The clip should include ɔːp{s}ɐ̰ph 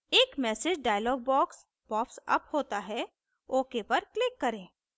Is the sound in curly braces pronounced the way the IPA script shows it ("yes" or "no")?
yes